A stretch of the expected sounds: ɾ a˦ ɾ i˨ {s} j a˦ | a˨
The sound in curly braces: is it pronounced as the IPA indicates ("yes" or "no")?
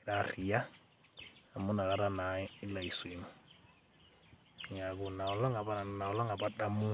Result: no